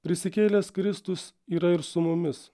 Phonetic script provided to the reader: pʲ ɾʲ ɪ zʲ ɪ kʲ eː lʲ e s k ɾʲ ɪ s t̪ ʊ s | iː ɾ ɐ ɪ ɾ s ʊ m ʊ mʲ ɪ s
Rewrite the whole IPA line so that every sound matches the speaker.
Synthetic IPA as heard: pʲ ɾʲ ɪ sʲ ɪ kʲ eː lʲ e s k ɾʲ ɪ s t̪ ʊ s | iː ɾ ɐ ɪ ɾ s ʊ m ʊ mʲ ɪ s